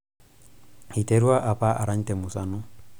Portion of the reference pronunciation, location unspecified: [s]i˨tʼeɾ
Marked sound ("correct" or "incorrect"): incorrect